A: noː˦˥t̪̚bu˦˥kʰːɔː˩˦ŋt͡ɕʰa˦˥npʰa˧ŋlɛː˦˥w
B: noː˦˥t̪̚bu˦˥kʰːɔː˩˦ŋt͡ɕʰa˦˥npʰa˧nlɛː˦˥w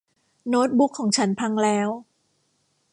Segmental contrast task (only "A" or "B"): A